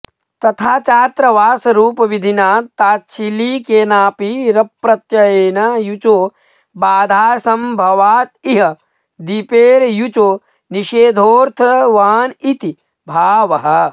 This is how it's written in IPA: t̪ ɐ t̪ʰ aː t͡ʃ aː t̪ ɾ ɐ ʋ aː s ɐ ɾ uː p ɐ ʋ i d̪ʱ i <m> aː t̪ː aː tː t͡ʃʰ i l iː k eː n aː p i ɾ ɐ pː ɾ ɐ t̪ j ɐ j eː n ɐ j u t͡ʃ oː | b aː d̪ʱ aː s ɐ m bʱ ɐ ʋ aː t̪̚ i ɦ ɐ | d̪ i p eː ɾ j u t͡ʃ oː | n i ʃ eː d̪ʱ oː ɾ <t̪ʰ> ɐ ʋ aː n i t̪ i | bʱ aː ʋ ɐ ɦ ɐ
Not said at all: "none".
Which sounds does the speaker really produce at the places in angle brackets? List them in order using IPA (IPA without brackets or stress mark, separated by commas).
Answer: n, t̪ʰ